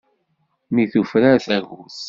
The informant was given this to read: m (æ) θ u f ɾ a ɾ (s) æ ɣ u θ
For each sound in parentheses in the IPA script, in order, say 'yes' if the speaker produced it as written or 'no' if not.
no, no

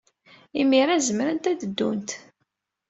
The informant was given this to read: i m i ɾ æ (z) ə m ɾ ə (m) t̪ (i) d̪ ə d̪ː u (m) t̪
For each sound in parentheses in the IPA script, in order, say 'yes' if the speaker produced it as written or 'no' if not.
yes, no, no, no

